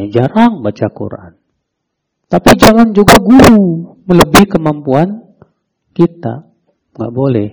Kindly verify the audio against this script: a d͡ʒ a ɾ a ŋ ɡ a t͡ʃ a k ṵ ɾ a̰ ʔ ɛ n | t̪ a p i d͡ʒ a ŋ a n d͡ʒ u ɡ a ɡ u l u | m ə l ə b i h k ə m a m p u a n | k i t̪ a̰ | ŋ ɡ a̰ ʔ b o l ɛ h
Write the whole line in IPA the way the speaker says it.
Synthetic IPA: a d͡ʒ a ɾ a ŋ b a t͡ʃ a k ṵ ɾ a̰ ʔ a n | t̪ a p i d͡ʒ a ŋ a n d͡ʒ u ɡ a ɡ u ɾ u | m ə l ə b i h k ə m a m p u a n | k i t̪ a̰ | ŋ ɡ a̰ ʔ b o l ɛ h